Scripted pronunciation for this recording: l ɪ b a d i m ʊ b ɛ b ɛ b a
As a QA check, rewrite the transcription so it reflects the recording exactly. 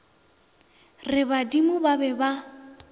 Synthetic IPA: r ɪ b a d i m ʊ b a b ɛ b a